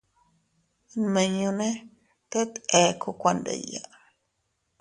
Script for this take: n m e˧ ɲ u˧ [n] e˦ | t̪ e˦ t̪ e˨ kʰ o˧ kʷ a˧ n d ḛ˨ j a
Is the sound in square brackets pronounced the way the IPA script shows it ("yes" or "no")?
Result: yes